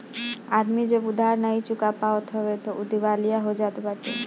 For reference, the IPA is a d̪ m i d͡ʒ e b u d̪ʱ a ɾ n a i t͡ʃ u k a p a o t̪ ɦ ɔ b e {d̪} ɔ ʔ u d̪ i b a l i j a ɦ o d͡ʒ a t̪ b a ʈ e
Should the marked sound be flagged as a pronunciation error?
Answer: yes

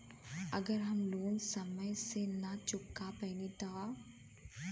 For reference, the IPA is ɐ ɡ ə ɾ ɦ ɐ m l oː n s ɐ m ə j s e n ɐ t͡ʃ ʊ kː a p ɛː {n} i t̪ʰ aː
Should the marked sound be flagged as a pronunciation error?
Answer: no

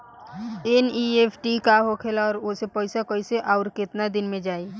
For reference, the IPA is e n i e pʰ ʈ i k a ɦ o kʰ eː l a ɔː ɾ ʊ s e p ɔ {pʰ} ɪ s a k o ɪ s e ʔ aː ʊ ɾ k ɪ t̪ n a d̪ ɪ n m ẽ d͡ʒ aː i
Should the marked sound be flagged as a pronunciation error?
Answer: yes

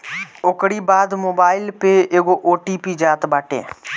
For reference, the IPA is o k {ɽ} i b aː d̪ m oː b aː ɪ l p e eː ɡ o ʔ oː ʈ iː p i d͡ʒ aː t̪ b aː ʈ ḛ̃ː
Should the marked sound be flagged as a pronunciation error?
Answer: no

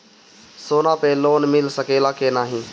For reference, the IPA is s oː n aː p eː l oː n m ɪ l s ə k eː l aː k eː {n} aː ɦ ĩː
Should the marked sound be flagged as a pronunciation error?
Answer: no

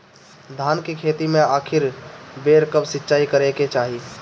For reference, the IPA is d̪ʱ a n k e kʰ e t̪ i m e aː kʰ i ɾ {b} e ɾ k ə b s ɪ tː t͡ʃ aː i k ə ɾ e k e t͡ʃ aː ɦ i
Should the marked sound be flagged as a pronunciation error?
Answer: no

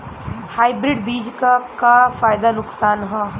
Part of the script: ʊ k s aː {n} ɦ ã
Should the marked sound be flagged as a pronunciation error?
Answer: no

